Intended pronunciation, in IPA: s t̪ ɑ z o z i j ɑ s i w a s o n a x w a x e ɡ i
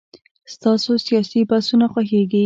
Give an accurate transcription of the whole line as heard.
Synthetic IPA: s t̪ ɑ s o s i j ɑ s i b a s u n a x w a x e ɡ i